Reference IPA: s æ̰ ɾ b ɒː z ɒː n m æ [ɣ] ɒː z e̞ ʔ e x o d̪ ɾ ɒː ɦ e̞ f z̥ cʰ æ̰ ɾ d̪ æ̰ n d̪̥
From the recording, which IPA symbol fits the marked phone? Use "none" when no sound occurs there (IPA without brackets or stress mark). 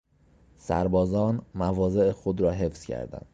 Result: v